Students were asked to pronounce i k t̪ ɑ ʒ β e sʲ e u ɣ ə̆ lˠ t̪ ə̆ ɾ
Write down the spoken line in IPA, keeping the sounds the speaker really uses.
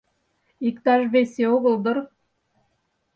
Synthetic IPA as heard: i k t̪ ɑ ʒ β e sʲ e o ɣ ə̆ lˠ d̪ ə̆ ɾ